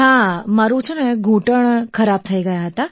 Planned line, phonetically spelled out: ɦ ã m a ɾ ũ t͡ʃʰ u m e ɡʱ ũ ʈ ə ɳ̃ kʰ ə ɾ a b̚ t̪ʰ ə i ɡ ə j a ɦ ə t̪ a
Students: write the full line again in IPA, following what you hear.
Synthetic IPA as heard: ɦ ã m a ɾ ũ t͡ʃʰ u n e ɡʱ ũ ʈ ə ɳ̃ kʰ ə ɾ a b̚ t̪ʰ ə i ɡ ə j a ɦ ə t̪ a